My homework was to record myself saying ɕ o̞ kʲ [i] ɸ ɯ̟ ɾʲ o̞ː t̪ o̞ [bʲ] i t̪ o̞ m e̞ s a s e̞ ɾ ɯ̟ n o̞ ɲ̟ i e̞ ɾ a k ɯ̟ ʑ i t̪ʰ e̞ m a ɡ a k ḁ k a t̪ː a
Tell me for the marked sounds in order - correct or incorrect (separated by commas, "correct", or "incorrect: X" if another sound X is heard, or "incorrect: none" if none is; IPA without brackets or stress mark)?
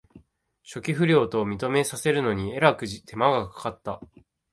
correct, incorrect: mʲ